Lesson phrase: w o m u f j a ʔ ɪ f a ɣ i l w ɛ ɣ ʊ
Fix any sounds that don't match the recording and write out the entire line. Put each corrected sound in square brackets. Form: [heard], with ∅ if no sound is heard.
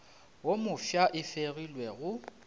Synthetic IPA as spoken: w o m [ʊ] f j a ʔ ɪ f [e] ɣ i l w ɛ ɣ ʊ